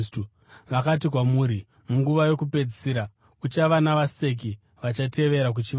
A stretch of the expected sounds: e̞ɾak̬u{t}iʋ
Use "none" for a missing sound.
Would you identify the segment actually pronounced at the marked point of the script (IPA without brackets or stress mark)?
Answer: t͡ʃ